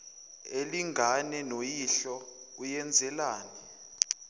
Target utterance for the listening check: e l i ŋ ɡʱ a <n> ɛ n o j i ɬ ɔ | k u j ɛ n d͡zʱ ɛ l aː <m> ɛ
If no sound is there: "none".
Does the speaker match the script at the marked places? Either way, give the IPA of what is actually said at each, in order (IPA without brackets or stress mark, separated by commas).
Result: n, n